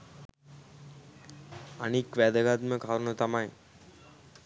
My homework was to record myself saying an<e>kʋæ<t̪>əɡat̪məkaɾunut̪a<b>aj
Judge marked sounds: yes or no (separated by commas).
no, no, no